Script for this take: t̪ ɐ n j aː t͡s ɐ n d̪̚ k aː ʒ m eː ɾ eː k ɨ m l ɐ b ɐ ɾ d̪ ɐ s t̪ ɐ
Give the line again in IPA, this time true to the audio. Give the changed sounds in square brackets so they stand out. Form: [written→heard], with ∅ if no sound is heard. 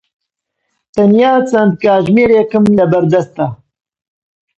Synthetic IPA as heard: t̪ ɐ n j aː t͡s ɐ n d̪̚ k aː ʒ m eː ɾ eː k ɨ m l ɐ b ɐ ɾ d̪ ɐ s t̪ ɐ